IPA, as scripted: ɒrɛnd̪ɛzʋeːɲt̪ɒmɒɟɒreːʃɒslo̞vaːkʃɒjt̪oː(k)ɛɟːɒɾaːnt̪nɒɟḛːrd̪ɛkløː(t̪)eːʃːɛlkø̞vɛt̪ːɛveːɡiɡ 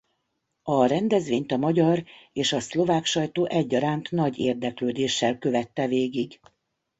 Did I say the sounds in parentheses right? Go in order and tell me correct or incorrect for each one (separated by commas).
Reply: incorrect, incorrect